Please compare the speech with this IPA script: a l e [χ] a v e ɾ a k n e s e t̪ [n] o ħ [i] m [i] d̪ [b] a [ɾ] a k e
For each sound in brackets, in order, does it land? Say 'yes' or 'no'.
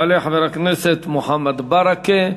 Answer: no, no, no, no, yes, yes

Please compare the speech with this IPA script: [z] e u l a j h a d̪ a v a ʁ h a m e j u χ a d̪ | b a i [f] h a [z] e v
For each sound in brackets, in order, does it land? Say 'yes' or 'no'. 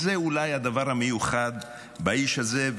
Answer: yes, no, yes

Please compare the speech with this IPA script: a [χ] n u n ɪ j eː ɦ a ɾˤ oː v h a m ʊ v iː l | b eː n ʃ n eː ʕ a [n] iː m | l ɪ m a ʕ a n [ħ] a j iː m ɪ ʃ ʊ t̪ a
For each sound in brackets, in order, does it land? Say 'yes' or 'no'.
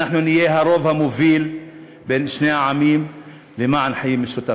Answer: no, no, yes

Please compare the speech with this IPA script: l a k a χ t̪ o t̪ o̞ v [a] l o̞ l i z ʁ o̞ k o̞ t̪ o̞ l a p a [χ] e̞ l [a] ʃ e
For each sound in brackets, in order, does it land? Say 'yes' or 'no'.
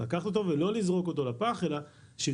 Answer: no, yes, yes

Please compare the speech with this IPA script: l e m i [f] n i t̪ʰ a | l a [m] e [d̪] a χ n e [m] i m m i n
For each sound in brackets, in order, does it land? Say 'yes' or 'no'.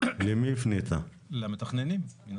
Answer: yes, yes, no, no

